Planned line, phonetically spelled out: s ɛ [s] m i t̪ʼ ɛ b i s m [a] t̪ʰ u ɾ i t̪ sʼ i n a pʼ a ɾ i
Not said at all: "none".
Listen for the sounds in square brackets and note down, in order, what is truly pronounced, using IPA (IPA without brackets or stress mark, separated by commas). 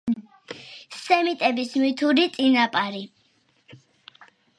none, i